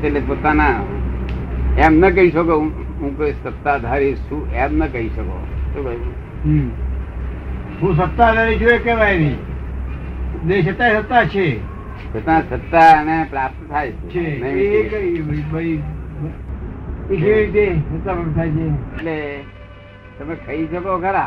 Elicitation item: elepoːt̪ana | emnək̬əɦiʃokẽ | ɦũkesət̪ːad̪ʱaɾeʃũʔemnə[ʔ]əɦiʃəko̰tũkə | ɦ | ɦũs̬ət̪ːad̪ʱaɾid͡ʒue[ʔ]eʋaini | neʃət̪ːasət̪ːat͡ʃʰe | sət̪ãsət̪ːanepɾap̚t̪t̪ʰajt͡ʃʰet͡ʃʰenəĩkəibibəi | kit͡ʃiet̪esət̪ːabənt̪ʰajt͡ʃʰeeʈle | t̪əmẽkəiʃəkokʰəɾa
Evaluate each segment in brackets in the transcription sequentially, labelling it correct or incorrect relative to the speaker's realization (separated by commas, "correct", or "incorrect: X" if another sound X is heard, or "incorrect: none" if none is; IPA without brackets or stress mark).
incorrect: k, incorrect: k